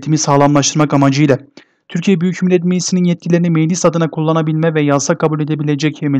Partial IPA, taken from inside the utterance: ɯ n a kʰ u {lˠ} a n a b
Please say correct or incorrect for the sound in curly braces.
incorrect